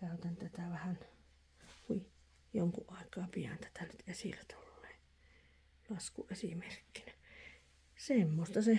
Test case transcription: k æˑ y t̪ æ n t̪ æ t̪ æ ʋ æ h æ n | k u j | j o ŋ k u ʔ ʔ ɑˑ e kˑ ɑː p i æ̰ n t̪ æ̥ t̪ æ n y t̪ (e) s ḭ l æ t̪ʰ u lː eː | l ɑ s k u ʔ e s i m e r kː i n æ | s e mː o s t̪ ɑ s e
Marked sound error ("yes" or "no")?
no